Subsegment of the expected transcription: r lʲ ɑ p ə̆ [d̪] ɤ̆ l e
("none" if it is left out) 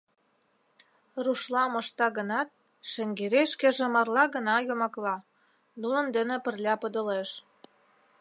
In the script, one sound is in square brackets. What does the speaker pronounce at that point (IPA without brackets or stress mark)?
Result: d̪